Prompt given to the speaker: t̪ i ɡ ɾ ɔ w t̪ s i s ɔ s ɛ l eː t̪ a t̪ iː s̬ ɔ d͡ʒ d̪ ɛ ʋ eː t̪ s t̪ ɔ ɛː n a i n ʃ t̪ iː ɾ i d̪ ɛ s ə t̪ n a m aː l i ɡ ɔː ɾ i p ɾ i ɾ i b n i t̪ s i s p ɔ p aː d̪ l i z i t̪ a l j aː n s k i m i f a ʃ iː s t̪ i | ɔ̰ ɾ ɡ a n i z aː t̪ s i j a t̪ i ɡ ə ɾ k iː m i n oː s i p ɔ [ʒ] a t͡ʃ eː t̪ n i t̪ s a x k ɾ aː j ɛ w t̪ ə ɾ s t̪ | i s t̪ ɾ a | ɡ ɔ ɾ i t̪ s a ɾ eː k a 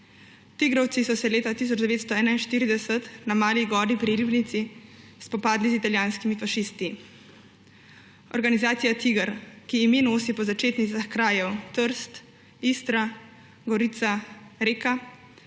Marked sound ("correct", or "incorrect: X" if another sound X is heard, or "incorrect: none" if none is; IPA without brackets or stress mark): incorrect: z